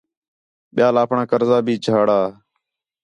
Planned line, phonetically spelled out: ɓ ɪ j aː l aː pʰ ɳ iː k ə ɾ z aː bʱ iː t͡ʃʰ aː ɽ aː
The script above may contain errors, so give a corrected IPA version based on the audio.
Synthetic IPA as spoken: ɓ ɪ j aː l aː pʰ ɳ aː k ə ɾ z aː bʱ iː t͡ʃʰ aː ɽ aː